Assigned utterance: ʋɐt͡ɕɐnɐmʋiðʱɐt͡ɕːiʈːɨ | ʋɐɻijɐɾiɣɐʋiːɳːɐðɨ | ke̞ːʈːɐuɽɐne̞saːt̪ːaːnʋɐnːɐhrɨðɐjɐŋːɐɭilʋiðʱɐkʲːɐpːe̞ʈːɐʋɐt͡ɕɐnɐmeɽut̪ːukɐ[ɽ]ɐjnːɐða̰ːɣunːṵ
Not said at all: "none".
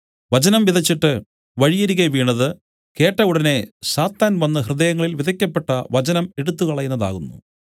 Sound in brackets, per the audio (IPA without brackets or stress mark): ɭ